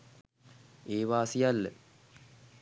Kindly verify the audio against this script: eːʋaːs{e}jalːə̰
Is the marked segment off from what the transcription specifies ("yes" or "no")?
yes